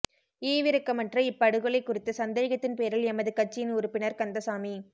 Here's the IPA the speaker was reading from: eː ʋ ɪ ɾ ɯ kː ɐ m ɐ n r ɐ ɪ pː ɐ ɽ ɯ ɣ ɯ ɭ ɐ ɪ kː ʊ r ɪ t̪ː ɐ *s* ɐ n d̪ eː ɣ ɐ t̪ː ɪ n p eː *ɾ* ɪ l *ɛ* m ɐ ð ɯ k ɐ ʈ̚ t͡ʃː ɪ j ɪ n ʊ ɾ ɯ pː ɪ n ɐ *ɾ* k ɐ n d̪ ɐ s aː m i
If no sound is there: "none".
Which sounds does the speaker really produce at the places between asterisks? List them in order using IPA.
s, ɾ, ɛ, ɾ

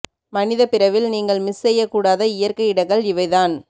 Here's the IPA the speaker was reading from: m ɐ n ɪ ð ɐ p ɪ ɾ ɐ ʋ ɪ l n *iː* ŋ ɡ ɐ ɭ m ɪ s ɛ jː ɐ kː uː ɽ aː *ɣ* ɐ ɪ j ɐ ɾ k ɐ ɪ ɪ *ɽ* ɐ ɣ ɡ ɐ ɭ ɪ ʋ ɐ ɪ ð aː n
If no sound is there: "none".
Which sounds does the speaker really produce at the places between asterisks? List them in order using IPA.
iː, ð, ɽ

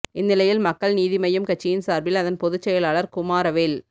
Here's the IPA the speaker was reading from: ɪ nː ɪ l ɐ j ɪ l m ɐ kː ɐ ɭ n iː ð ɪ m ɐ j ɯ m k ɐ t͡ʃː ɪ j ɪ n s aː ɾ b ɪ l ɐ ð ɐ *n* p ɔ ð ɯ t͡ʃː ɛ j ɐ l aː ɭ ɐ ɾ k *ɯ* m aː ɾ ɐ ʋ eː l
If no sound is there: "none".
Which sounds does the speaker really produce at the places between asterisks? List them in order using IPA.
n, ʊ

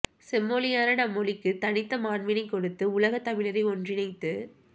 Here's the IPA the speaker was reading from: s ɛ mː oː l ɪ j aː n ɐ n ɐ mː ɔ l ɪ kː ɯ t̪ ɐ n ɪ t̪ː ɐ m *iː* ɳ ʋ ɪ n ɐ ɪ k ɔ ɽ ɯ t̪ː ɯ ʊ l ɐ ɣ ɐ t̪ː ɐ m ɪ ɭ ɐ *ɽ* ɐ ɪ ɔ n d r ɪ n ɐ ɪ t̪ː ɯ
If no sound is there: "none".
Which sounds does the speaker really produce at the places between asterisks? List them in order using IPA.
aː, ɾ

